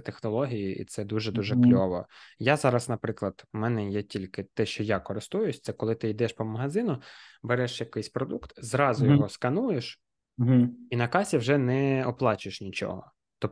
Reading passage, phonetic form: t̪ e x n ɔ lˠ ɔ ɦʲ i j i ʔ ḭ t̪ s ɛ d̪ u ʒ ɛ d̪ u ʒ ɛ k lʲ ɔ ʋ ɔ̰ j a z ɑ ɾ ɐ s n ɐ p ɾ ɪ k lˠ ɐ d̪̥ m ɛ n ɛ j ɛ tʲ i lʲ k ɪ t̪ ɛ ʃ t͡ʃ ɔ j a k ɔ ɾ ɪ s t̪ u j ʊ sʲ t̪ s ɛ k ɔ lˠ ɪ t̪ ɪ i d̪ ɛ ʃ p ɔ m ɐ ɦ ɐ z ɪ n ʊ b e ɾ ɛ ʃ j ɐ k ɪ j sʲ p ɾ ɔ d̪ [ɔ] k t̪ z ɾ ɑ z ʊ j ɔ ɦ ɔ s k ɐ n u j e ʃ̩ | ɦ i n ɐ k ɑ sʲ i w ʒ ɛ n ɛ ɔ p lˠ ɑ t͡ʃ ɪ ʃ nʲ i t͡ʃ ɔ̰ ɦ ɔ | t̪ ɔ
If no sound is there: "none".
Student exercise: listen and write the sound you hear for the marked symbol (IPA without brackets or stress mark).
u